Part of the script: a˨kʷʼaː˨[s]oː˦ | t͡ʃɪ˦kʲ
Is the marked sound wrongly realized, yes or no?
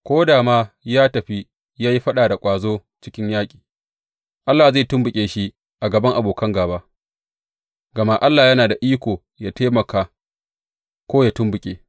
yes